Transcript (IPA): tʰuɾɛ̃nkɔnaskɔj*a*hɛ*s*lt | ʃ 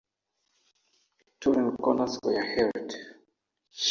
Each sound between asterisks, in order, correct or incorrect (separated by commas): correct, incorrect